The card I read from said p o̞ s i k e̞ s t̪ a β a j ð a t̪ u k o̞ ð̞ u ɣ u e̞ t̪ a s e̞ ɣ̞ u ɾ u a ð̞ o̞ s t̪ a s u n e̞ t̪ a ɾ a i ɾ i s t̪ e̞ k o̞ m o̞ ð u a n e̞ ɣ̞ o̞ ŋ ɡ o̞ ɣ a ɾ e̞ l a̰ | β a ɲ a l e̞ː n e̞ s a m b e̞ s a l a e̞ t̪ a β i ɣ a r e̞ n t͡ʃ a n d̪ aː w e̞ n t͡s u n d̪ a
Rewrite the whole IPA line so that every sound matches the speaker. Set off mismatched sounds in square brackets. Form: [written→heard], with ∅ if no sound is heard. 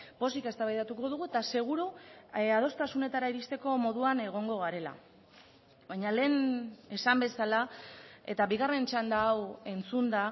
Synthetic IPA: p o̞ s i k e̞ s t̪ a β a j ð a t̪ u k o̞ ð̞ u ɣ u e̞ t̪ a s e̞ ɣ̞ u ɾ u a ð̞ o̞ s t̪ a s u n e̞ t̪ a ɾ a i ɾ i s t̪ e̞ k o̞ m o̞ ð u a n e̞ ɣ̞ o̞ ŋ ɡ o̞ ɣ a ɾ e̞ l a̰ | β a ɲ a l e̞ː n e̞ s a m b e̞ s a l a e̞ t̪ a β i ɣ a r e̞ n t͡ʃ a n d̪ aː w e̞ n t͡s u n d̪ a